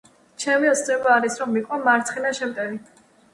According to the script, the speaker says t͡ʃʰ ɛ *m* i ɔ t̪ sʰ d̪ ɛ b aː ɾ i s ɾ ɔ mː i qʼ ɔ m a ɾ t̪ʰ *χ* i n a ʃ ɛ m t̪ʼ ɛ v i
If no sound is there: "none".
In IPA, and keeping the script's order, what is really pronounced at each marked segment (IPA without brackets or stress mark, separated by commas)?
m, χ